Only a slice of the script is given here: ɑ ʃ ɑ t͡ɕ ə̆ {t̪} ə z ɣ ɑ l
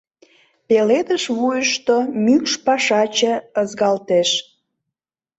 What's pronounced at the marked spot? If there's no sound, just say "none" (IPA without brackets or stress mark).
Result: none